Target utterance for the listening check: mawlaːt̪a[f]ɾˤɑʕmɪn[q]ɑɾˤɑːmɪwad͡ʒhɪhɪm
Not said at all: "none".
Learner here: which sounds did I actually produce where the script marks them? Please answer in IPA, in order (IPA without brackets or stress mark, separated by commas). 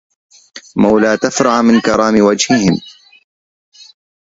f, k